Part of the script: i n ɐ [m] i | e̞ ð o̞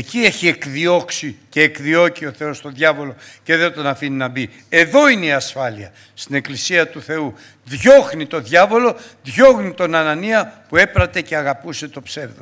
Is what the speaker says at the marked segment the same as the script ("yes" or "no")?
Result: no